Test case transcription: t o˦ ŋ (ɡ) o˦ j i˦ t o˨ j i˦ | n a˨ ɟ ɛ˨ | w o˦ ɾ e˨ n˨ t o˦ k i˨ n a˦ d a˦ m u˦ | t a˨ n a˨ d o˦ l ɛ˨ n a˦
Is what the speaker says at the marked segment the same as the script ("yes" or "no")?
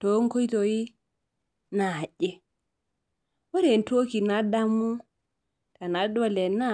no